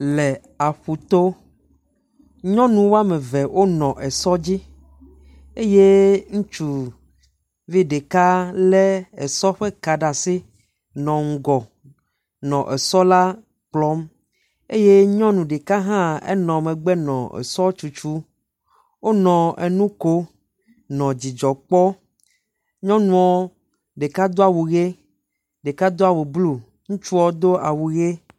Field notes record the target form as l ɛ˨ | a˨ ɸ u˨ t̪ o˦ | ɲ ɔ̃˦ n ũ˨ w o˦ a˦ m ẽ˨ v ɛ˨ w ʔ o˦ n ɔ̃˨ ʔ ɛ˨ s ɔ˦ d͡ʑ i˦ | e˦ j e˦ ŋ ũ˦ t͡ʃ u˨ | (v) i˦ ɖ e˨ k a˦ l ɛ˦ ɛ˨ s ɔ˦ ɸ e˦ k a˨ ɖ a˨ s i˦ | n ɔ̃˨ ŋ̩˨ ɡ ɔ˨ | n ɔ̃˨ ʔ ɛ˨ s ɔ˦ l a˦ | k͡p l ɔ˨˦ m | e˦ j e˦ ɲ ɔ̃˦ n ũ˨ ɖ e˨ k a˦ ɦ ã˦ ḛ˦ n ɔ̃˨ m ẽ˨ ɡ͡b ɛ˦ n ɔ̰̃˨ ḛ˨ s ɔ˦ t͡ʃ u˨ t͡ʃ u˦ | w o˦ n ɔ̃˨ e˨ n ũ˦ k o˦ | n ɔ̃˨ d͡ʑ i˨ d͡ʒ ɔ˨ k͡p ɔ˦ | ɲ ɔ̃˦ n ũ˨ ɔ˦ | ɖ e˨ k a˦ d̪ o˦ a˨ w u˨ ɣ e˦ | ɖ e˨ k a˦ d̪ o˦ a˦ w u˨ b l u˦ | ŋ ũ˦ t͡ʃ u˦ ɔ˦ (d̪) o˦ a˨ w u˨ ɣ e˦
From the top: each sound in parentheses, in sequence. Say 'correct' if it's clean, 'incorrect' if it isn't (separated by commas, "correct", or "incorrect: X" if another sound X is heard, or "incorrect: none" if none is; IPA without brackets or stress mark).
correct, correct